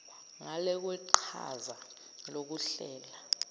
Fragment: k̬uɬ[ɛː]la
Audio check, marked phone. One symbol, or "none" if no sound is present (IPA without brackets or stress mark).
ɛː